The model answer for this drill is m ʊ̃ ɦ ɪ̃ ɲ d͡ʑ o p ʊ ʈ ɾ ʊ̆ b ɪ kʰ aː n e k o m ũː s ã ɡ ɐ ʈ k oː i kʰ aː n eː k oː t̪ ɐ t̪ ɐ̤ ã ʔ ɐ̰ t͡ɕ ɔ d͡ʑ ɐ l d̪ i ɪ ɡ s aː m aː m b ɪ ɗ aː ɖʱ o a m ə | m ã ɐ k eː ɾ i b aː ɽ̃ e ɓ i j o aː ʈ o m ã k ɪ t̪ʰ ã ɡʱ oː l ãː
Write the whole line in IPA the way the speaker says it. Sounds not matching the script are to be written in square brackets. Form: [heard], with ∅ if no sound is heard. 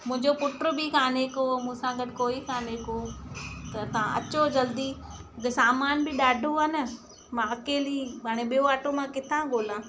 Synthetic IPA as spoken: m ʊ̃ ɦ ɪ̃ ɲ d͡ʑ o p ʊ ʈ ɾ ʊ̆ b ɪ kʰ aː n e k o m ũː s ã ɡ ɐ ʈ k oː i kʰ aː n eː k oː t̪ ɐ t̪ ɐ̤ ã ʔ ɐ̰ t͡ɕ [o] d͡ʑ ɐ l d̪ i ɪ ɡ s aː m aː [n] b ɪ ɗ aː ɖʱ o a [n] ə | m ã ɐ k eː [l] i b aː ɽ̃ e ɓ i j o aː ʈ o m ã k ɪ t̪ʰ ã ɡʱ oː l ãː

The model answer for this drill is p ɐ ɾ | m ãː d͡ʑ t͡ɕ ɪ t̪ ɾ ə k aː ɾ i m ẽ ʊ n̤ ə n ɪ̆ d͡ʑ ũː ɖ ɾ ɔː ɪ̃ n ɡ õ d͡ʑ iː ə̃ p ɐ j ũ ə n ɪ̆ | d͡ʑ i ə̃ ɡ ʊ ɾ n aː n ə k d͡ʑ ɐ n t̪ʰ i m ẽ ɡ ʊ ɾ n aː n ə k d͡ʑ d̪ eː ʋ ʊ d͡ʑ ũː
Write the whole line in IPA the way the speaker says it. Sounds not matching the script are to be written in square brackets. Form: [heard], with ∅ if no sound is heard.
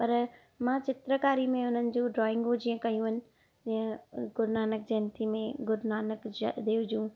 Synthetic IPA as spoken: p ɐ ɾ | m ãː [∅] t͡ɕ ɪ t̪ ɾ ə k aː ɾ i m ẽ ʊ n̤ ə n ɪ̆ d͡ʑ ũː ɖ ɾ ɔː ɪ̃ [ŋ] ɡ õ d͡ʑ iː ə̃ [k] ɐ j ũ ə n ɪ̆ | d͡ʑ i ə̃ ɡ ʊ ɾ n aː n ə k d͡ʑ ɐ n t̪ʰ i m ẽ ɡ ʊ ɾ n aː n ə k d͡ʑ d̪ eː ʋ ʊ d͡ʑ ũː

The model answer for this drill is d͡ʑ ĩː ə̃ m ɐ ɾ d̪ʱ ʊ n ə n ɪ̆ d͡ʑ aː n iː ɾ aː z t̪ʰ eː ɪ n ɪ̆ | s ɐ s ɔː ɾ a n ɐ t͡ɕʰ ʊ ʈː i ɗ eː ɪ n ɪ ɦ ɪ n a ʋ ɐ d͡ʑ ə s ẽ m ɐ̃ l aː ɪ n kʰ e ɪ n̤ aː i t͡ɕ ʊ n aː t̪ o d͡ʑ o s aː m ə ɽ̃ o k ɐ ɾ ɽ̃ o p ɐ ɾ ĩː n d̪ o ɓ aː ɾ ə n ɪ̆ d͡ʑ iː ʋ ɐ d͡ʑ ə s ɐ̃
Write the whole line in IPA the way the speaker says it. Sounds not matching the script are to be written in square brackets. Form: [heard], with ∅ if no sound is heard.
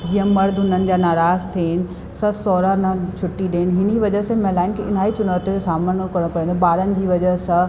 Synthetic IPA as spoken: d͡ʑ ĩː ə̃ m ɐ ɾ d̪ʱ ʊ n ə n ɪ̆ d͡ʑ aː n [aː] ɾ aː z t̪ʰ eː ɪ n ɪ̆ | s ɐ s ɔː ɾ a n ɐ t͡ɕʰ ʊ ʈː i ɗ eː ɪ n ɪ ɦ ɪ n [i] ʋ ɐ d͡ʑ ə s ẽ m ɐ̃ l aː ɪ n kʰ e ɪ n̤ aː i t͡ɕ ʊ n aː t̪ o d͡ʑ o s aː m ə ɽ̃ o k ɐ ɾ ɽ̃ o p ɐ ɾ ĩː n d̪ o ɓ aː ɾ ə n ɪ̆ d͡ʑ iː ʋ ɐ d͡ʑ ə s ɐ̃

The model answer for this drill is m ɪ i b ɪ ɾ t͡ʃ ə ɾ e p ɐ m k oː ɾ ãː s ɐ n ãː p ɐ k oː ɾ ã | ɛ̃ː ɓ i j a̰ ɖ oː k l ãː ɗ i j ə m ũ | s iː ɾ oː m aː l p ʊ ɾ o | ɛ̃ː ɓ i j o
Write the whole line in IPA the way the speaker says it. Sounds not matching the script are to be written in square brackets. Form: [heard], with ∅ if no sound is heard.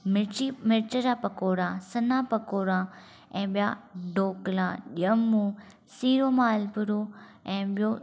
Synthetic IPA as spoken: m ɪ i [m] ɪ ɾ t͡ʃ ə ɾ [a] p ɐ [∅] k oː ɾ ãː s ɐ n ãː p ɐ k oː ɾ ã | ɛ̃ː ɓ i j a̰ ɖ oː k l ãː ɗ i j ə m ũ | s iː ɾ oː m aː l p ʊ ɾ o | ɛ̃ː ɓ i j o

